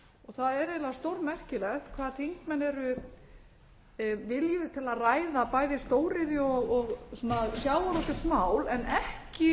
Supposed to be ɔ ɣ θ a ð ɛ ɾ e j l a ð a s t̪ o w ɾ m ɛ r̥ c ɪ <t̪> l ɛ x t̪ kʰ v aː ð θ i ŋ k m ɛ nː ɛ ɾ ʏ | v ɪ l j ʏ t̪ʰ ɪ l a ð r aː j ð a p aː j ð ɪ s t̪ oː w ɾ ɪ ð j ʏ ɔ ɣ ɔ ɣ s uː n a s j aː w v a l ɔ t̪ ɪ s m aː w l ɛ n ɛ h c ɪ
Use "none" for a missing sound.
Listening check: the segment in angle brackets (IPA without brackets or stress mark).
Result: none